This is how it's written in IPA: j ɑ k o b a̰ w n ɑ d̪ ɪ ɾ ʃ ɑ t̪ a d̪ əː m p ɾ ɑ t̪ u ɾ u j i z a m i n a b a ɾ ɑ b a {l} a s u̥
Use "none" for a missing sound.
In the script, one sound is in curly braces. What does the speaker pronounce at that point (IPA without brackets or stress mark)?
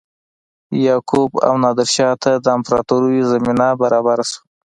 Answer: ɾ